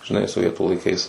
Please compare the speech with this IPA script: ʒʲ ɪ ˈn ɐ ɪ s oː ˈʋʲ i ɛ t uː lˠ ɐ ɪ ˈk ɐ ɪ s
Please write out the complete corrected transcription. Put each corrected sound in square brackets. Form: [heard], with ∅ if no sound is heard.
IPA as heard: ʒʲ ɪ ˈn ɐ ɪ s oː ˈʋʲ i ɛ t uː lˠ ɐ ɪ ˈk ɐ ɪ s